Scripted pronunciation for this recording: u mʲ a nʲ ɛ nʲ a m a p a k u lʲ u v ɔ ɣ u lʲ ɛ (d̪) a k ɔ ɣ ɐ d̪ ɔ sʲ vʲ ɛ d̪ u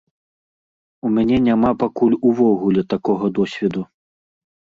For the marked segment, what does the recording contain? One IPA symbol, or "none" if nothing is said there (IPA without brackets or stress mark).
t̪